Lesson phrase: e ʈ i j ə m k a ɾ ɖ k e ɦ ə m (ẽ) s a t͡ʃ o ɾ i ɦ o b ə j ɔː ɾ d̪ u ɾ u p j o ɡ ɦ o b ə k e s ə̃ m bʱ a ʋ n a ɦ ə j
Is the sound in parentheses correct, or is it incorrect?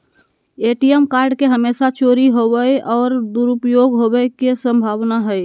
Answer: incorrect